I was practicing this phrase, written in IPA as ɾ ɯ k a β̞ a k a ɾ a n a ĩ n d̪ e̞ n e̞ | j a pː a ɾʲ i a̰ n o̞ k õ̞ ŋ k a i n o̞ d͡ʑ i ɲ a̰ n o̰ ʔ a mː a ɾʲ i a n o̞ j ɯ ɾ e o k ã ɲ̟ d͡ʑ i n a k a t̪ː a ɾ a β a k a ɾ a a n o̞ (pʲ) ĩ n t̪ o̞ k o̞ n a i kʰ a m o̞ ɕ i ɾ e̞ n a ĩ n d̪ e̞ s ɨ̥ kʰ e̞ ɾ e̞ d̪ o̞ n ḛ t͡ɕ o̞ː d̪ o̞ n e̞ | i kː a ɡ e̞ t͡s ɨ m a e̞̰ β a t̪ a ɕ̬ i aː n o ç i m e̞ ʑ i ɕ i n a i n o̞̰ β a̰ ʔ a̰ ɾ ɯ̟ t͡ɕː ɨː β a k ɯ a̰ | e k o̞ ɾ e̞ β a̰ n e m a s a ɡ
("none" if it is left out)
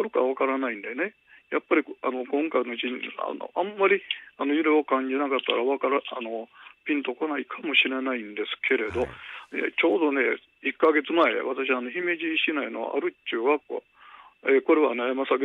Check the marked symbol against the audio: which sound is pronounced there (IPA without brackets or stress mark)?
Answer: pʲ